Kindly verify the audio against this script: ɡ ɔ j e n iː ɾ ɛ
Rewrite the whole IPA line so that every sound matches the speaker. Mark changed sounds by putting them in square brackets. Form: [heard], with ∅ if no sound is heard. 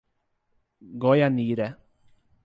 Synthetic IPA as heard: ɡ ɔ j [a] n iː ɾ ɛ

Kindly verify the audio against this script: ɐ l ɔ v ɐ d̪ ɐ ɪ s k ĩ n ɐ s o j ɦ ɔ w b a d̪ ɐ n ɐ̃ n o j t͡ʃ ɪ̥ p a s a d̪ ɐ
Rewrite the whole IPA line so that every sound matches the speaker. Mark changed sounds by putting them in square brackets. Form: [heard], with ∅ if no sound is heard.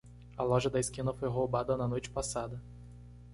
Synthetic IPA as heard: ɐ l ɔ [ʒ] ɐ d̪ ɐ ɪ s k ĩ n ɐ [f] o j ɦ [o] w b a d̪ ɐ n [ɐ] n o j t͡ʃ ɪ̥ p a s a d̪ ɐ

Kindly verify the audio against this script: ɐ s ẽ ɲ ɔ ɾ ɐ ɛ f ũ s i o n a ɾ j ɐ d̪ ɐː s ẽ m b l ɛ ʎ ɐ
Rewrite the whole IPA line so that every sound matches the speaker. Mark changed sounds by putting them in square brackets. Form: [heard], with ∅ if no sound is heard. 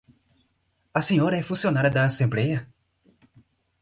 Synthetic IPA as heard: ɐ s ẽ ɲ ɔ ɾ ɐ ɛ f ũ s i o n a ɾ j ɐ d̪ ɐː s ẽ m b l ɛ [j] ɐ

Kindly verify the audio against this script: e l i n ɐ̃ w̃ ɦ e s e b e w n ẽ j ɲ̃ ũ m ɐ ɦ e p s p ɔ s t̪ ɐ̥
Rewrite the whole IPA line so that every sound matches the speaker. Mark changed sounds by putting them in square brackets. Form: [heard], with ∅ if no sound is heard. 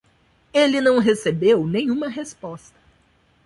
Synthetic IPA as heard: e l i n ɐ̃ w̃ ɦ e s e b e w n ẽ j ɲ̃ ũ m ɐ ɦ e [∅] s p ɔ s t̪ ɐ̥

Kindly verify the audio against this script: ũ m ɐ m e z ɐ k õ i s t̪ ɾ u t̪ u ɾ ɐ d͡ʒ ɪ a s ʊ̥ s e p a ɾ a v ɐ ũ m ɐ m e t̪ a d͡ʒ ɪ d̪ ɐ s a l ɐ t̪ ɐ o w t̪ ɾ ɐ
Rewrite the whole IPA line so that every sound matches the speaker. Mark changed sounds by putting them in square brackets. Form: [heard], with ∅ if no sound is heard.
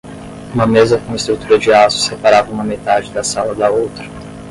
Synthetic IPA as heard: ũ m ɐ m e z ɐ k õ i s t̪ ɾ u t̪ u ɾ ɐ d͡ʒ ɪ a s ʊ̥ s e p a ɾ a v ɐ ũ m ɐ m e t̪ a d͡ʒ ɪ d̪ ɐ s a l ɐ [d̪] ɐ o w t̪ ɾ ɐ

